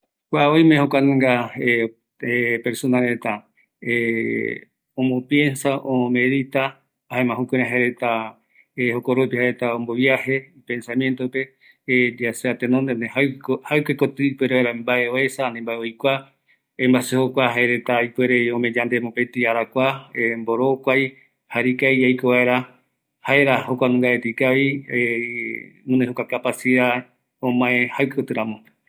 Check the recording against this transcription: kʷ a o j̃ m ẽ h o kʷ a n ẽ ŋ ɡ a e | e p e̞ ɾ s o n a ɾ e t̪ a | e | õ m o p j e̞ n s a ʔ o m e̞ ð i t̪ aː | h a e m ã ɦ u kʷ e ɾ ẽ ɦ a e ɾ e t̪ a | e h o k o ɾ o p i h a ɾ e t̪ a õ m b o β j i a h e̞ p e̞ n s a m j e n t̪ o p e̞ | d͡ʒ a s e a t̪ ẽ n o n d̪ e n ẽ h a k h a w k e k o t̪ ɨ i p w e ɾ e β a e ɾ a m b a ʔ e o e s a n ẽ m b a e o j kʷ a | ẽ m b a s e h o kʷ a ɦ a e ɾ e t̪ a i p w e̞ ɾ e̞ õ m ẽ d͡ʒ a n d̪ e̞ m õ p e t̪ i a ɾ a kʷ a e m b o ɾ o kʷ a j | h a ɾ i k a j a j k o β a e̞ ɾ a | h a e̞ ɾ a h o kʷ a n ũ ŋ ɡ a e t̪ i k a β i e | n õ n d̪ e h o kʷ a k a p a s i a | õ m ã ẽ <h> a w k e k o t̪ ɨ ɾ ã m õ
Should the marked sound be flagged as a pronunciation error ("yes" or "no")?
no